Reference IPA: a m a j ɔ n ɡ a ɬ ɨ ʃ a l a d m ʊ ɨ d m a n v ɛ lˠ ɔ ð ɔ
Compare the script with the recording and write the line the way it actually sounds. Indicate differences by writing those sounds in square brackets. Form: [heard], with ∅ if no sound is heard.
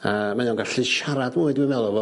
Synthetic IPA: a m a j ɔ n ɡ a ɬ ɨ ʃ a [ɾ] a d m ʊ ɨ d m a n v ɛ lˠ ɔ [v] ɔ